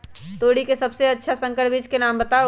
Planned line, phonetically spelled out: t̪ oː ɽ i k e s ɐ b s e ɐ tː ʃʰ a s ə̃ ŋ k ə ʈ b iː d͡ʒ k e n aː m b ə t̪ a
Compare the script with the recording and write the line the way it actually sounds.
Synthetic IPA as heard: t̪ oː ɽ i k e s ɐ b s e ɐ tː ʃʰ a s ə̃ ŋ k ə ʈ b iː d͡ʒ k e n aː m b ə t̪ a